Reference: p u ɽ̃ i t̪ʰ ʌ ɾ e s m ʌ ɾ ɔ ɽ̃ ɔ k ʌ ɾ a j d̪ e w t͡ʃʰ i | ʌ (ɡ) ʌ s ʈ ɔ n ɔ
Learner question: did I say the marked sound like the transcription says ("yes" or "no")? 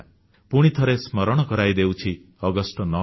yes